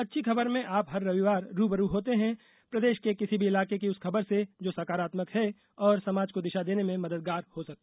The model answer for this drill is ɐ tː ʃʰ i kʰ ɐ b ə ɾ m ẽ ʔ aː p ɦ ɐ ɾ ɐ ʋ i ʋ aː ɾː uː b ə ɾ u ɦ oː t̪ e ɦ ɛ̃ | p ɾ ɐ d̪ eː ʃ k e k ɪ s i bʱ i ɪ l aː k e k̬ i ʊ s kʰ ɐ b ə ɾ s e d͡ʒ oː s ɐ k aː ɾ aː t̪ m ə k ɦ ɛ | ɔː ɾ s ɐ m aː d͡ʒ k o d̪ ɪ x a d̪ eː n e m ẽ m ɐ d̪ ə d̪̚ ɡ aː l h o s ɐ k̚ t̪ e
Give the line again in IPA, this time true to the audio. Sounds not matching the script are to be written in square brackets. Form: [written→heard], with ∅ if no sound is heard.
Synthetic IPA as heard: ɐ tː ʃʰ i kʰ ɐ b ə ɾ m ẽ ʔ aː p ɦ ɐ [ɾ→ɾː] ɐ ʋ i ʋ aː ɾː uː b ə ɾ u ɦ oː t̪ e ɦ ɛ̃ | p ɾ ɐ d̪ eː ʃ k e k ɪ s i bʱ i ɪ l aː k e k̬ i ʊ s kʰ ɐ b ə ɾ s e d͡ʒ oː s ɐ k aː ɾ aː t̪ m ə k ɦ ɛ | ɔː ɾ s ɐ m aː d͡ʒ k o d̪ ɪ [x→ʃ] a d̪ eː n e m ẽ m ɐ d̪ ə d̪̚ ɡ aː [l→ɾ] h o s ɐ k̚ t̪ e